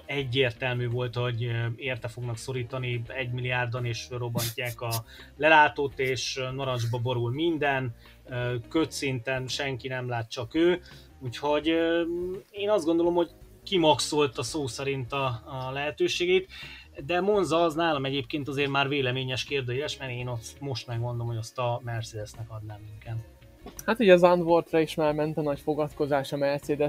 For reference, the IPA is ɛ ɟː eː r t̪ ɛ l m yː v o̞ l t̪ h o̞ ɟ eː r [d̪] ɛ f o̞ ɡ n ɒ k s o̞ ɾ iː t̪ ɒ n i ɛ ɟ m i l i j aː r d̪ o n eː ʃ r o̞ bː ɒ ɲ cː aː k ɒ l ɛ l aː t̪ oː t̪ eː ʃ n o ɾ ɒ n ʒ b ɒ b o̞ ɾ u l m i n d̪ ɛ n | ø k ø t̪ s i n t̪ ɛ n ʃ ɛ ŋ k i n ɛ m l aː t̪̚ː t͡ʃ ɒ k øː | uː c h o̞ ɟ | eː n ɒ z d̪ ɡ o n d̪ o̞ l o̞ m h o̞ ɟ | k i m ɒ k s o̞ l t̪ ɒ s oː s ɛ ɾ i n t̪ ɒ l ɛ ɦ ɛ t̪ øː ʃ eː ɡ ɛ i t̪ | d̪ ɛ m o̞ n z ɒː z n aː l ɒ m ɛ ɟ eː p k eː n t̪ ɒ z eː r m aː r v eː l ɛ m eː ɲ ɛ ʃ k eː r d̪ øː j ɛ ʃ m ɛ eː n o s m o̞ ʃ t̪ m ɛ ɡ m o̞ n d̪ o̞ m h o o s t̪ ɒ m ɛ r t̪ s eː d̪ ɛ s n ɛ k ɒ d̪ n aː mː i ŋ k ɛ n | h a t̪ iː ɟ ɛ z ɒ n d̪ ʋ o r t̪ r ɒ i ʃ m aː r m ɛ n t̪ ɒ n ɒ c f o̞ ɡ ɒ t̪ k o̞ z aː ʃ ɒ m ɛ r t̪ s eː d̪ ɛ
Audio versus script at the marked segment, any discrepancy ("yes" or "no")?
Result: yes